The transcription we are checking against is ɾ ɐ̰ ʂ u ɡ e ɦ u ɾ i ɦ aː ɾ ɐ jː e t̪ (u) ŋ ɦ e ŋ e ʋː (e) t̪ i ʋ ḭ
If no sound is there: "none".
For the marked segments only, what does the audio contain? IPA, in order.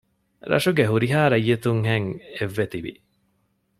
u, e

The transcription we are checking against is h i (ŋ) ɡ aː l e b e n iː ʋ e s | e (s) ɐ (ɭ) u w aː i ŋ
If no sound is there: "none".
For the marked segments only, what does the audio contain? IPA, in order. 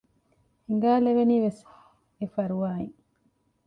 ŋ, f, ɾ

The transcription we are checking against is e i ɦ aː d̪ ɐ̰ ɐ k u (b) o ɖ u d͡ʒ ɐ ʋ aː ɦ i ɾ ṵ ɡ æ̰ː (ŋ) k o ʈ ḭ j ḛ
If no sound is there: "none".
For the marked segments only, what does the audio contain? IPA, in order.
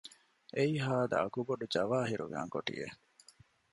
b, ŋ

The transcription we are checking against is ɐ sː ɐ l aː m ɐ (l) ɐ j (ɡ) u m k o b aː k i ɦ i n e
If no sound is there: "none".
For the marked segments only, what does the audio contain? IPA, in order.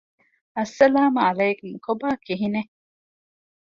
l, k

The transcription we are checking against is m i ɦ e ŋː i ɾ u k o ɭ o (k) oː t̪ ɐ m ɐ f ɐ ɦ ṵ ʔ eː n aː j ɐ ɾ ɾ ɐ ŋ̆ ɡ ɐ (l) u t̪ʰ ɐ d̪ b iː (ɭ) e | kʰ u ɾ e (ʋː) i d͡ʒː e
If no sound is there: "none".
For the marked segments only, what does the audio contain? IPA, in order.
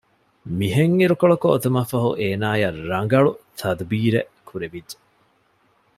k, ɭ, ɾ, ʋ

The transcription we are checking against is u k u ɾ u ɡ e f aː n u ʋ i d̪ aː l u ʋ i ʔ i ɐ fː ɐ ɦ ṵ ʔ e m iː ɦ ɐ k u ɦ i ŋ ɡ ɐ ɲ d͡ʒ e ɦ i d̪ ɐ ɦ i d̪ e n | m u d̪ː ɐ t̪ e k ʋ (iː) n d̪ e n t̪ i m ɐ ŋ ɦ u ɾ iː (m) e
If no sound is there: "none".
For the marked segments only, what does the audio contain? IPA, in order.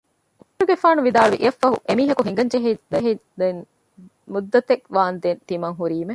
aː, m

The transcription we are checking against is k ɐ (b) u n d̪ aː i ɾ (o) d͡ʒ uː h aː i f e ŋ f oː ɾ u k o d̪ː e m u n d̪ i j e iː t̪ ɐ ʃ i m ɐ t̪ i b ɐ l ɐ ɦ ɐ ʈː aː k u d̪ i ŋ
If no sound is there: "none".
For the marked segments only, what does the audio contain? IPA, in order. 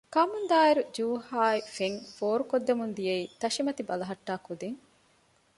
m, u

